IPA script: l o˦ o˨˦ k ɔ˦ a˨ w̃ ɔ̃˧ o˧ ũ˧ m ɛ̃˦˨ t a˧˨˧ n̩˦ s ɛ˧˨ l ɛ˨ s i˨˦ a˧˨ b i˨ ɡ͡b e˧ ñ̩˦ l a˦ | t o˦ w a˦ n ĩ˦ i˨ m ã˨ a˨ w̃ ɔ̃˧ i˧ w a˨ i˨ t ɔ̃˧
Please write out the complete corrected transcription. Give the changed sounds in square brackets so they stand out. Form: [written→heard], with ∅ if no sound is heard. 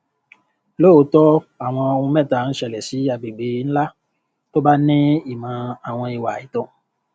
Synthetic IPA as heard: l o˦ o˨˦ [k→t] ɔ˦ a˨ w̃ ɔ̃˧ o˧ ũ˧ m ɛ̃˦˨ t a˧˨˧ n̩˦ [s→ʃ] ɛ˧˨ l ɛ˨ s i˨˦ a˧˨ b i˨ ɡ͡b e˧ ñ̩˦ l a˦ | t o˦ [w→b] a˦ n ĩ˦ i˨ m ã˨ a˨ w̃ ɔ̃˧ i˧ w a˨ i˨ t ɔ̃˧

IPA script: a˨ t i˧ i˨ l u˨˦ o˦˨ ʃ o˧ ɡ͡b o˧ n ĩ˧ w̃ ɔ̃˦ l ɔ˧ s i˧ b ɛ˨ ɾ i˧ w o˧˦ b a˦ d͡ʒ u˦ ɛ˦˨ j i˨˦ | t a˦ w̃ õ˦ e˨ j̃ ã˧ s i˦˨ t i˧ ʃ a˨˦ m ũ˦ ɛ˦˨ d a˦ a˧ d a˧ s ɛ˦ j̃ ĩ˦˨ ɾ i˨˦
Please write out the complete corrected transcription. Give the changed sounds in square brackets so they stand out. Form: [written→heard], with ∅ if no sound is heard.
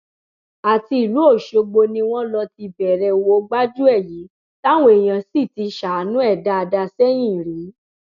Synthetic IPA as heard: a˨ t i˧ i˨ l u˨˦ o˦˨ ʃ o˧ ɡ͡b o˧ n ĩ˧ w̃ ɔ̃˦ l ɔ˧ [s→t] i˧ b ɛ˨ ɾ [i˧→ɛ˧] w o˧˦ [b→ɡ͡b] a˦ d͡ʒ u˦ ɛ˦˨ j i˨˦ | t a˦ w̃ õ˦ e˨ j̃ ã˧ s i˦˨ t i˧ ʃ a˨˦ [m→n] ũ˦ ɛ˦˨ d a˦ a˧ d a˧ s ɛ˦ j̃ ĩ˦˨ ɾ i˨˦

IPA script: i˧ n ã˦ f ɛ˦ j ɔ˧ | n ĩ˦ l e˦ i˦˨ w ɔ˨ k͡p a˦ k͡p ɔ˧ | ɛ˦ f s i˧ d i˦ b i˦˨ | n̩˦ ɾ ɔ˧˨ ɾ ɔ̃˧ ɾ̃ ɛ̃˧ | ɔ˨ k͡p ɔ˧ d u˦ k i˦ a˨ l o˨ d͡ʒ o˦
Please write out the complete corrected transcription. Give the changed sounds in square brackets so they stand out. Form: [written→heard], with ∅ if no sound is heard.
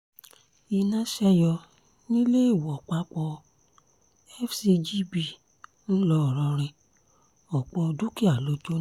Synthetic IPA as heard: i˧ n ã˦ [f→ʃ] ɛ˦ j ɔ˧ | n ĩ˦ l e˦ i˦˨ w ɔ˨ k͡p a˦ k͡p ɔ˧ | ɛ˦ f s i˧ [d→d͡ʒ] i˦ b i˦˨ | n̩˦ [ɾ→l] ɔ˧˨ ɾ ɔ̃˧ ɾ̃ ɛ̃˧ | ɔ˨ k͡p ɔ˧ d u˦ k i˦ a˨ l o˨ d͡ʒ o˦

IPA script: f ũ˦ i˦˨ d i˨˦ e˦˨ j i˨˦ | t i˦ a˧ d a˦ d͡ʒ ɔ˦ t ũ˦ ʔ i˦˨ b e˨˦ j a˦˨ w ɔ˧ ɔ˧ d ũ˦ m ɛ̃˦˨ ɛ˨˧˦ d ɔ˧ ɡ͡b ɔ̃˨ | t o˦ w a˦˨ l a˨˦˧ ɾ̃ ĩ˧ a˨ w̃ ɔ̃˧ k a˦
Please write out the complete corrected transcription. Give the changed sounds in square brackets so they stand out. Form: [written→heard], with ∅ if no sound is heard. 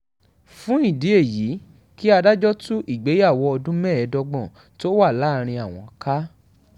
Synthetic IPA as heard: f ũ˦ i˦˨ d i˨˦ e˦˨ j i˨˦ | [t→k] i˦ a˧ d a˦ d͡ʒ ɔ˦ t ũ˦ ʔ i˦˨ [b→ɡ͡b] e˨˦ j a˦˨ w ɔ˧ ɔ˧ d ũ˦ m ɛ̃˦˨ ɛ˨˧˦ d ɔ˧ ɡ͡b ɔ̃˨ | t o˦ w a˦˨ l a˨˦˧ ɾ̃ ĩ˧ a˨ w̃ ɔ̃˧ k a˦

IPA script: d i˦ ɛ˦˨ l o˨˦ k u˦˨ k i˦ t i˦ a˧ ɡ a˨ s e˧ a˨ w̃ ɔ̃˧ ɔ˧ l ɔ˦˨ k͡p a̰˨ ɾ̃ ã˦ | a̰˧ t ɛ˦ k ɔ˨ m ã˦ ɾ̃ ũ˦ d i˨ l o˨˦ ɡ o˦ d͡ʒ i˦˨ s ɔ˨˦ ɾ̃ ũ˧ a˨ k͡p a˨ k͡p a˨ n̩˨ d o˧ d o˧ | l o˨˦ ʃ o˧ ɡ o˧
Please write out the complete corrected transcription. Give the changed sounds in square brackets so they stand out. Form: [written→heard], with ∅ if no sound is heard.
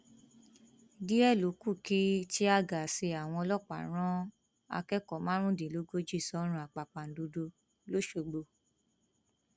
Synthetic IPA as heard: d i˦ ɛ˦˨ l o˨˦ k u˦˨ k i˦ t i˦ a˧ ɡ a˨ s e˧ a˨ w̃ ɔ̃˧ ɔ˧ l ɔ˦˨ k͡p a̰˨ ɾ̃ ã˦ | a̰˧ [t→k] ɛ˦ k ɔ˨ m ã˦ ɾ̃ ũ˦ d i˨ l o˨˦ ɡ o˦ d͡ʒ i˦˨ s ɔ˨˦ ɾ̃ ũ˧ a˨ k͡p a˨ k͡p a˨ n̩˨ d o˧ d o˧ | l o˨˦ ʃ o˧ [ɡ→ɡ͡b] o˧

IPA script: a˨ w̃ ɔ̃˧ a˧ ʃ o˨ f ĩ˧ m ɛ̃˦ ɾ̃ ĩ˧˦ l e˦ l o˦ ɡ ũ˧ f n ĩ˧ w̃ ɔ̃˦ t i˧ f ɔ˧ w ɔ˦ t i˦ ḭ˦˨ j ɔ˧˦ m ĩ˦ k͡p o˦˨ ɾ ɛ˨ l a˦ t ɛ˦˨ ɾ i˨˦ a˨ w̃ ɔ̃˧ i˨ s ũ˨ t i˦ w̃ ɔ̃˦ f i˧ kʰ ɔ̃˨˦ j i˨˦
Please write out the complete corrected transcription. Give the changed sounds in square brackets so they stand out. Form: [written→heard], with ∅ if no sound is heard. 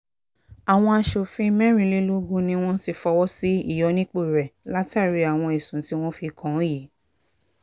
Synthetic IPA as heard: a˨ w̃ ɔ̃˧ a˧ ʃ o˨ f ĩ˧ m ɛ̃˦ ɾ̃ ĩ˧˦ l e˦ l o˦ ɡ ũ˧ [f→∅] n ĩ˧ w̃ ɔ̃˦ t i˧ f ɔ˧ w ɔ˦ [t→s] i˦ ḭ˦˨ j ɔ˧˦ [m→n] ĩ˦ k͡p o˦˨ ɾ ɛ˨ l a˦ t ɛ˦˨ ɾ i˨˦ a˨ w̃ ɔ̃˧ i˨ s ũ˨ t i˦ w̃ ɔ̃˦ f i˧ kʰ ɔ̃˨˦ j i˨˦

